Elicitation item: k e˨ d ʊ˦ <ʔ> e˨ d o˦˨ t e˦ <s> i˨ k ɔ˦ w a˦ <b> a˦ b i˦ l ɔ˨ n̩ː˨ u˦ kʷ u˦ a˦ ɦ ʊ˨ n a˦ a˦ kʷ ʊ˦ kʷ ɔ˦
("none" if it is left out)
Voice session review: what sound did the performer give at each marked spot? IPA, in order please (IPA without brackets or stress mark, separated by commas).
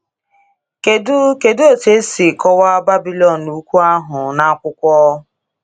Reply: k, s, b